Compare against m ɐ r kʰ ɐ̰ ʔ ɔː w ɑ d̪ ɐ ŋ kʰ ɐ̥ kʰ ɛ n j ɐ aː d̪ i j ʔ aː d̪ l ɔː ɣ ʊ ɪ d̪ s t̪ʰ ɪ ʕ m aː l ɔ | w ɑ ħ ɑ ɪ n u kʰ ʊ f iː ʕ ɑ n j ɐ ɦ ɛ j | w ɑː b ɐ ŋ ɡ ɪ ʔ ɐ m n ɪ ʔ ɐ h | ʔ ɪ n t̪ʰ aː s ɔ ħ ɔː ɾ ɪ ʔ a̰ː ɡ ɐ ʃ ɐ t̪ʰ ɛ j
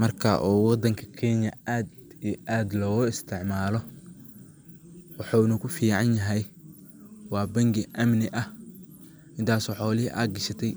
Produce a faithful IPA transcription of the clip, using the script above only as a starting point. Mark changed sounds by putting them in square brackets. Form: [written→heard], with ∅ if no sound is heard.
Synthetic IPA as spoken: m ɐ r kʰ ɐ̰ ʔ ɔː w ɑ d̪ ɐ ŋ kʰ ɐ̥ kʰ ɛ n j ɐ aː d̪ i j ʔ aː d̪ l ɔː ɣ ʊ ɪ [d̪→∅] s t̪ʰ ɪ ʕ m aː l ɔ | w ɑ ħ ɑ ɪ n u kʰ ʊ f iː ʕ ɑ n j ɐ ɦ ɛ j | w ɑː b ɐ ŋ ɡ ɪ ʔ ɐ m n ɪ ʔ ɐ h | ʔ ɪ n t̪ʰ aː s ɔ ħ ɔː [ɾ→l] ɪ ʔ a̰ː ɡ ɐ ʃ ɐ t̪ʰ ɛ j